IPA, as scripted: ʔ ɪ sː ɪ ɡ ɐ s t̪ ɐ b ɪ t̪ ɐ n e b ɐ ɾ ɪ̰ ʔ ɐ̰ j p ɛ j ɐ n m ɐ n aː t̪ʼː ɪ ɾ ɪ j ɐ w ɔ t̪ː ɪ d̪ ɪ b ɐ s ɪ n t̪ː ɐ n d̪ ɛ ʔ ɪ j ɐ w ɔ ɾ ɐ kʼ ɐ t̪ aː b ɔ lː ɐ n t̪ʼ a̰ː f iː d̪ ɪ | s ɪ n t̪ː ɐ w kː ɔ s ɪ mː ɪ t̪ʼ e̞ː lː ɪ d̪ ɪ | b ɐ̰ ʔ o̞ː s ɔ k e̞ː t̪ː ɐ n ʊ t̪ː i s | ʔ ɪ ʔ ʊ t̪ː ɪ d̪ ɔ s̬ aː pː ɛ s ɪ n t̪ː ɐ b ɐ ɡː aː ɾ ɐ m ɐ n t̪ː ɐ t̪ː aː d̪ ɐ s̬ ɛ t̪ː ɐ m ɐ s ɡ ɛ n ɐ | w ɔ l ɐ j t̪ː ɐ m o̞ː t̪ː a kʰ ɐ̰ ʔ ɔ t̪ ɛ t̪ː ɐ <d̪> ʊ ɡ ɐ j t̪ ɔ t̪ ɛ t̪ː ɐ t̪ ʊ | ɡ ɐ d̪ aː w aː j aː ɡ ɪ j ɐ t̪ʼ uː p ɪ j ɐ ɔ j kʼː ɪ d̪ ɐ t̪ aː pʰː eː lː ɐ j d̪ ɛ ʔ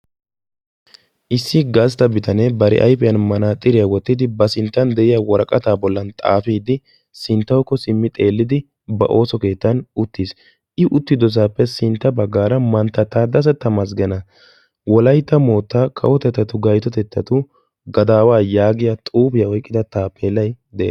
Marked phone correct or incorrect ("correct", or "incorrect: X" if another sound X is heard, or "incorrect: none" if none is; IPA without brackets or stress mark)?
incorrect: t̪